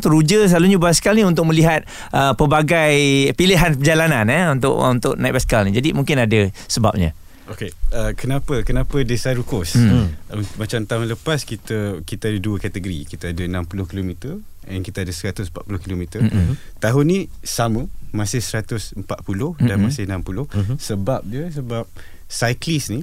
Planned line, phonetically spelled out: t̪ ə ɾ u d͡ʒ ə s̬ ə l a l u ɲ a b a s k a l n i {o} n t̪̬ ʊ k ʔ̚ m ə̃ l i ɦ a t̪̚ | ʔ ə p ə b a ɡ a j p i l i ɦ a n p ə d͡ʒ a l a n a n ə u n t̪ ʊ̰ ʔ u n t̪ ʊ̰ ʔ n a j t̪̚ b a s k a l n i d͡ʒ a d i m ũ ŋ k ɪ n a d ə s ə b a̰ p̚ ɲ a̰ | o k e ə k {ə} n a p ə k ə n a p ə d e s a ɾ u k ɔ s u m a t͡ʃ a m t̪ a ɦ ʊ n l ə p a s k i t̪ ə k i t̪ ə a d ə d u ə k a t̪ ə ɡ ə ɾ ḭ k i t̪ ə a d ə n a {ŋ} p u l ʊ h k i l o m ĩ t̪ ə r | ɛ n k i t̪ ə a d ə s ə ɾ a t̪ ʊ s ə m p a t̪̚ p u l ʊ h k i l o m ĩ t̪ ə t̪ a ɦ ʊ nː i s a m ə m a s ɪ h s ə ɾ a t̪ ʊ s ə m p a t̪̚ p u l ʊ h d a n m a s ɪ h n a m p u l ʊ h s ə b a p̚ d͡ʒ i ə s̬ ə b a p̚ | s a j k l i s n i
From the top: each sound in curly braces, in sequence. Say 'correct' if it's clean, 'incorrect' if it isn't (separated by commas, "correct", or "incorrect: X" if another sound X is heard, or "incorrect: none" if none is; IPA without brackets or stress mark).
incorrect: u, correct, incorrect: m